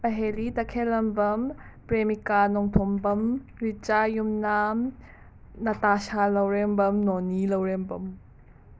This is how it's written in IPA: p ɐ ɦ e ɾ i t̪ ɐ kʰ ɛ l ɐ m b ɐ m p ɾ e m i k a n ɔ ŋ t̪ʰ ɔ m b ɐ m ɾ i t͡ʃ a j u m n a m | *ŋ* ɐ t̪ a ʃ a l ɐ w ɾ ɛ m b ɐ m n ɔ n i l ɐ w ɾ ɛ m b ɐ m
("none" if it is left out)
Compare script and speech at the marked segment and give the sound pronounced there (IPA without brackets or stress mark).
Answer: n